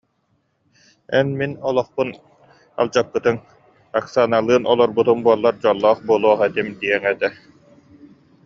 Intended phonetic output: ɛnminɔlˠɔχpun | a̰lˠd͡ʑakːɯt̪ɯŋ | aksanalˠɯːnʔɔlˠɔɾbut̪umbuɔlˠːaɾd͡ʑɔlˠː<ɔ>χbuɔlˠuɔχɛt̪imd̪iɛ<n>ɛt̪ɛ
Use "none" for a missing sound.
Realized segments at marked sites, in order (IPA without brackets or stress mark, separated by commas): ɔː, ŋ